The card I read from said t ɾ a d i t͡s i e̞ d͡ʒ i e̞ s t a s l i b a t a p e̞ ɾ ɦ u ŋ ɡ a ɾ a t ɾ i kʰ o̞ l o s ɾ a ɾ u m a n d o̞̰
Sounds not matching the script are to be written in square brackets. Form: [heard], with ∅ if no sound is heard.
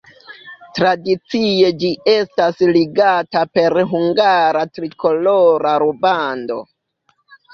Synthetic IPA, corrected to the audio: t ɾ a d i t͡s i e̞ d͡ʒ i e̞ s t a s l i [ɡ] a t a p e̞ ɾ ɦ u ŋ ɡ a ɾ a t ɾ i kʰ o̞ l o [∅] ɾ a ɾ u [b] a n d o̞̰